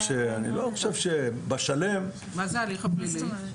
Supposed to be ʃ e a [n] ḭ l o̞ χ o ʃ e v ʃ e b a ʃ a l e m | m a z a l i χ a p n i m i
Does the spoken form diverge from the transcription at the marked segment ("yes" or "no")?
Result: no